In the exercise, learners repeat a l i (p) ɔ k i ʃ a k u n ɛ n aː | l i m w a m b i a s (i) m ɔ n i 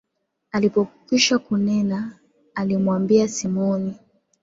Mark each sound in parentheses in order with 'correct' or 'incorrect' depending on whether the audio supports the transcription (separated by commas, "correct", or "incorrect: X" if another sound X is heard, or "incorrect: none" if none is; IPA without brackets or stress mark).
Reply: correct, correct